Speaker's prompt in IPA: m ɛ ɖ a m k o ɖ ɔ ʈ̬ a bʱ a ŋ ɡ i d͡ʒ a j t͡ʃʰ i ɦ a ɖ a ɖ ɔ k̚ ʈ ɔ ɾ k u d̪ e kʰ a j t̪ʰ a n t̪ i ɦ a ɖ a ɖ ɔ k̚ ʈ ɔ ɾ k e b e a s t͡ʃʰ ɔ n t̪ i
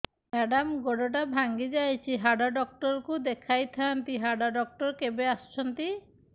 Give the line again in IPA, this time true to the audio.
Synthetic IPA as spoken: m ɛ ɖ a m ɡ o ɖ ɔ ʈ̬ a bʱ a ŋ ɡ i d͡ʒ a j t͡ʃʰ i ɦ a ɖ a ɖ ɔ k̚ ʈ ɔ ɾ k u d̪ e kʰ a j t̪ʰ a n t̪ i ɦ a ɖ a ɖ ɔ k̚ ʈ ɔ ɾ k e b e a s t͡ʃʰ ɔ n t̪ i